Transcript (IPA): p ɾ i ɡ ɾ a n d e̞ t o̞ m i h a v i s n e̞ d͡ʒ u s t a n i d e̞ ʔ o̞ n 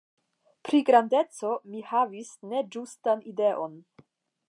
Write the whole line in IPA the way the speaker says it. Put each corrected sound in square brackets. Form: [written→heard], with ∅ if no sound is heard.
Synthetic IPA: p ɾ i ɡ ɾ a n d e̞ [t→t͡s] o̞ m i h a v i s n e̞ d͡ʒ u s t a n i d e̞ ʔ o̞ n